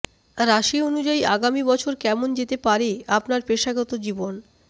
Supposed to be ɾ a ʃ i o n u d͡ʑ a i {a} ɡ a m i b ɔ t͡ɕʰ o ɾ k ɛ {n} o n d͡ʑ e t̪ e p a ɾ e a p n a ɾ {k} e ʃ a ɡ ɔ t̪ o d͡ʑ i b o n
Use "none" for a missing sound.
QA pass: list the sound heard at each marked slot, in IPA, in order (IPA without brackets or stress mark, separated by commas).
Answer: a, m, p